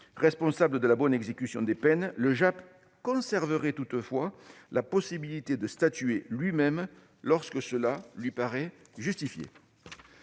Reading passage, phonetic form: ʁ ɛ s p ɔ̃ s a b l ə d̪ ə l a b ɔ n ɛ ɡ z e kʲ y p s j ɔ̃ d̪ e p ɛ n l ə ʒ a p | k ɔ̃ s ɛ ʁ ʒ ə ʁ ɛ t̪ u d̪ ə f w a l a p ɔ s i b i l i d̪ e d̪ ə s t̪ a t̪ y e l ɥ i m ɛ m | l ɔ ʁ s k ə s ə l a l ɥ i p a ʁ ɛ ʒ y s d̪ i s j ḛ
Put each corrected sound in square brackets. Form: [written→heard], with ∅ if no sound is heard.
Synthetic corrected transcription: ʁ ɛ s p ɔ̃ s a b l ə d̪ ə l a b ɔ n ɛ ɡ z e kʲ y [p→∅] s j ɔ̃ d̪ e p ɛ n l ə ʒ a p | k ɔ̃ s ɛ ʁ [ʒ→v] ə ʁ ɛ t̪ u [d̪→t̪] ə f w a l a p ɔ s i b i l i [d̪→t̪] e d̪ ə s t̪ a t̪ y e l ɥ i m ɛ m | l ɔ ʁ s k ə s ə l a l ɥ i p a ʁ ɛ ʒ y s [d̪→t̪] i [s→f] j ḛ